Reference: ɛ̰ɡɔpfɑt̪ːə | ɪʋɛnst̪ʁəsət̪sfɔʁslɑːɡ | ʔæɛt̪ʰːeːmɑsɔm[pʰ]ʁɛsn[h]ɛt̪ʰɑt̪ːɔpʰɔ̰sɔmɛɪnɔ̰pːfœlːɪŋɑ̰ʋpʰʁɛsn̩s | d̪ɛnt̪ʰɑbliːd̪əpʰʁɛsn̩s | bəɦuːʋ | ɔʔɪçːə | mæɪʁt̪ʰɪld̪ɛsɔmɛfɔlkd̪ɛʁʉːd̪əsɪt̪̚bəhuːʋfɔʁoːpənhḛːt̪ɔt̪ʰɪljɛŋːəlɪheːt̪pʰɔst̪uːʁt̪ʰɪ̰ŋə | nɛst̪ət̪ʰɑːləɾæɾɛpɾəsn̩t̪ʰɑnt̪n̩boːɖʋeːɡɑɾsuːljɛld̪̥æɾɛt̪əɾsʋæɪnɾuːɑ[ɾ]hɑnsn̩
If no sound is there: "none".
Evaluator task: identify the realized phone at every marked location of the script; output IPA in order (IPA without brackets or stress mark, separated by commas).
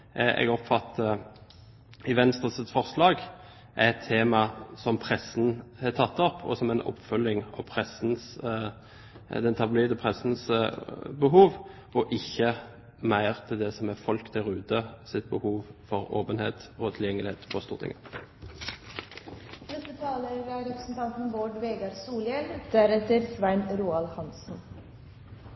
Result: pʰ, h, l